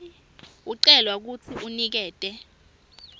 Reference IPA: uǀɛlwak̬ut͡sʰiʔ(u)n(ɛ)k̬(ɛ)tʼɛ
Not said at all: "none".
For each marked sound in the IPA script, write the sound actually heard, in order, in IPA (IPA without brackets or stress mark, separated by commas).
u, i, ɛː